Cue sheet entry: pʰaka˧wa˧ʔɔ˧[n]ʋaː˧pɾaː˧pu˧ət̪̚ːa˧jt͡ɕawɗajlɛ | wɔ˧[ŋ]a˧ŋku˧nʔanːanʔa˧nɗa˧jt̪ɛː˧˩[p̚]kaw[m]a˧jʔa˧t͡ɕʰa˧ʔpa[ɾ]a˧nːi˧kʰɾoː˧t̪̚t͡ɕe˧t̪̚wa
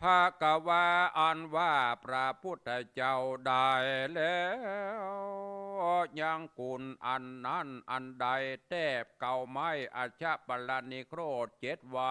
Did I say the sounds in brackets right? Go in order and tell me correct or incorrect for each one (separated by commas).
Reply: correct, incorrect, correct, correct, incorrect